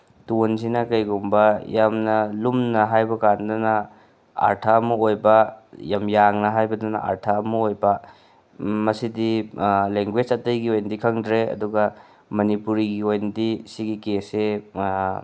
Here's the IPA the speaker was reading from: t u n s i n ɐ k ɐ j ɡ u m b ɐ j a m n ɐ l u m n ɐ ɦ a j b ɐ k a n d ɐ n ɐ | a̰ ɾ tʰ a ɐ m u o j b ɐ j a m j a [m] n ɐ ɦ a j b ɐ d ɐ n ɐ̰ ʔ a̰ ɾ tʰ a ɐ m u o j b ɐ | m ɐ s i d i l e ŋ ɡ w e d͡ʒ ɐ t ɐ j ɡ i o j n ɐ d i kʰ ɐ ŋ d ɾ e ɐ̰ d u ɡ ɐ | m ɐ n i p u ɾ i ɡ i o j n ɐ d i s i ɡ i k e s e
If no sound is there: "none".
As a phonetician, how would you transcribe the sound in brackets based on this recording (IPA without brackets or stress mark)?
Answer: ŋ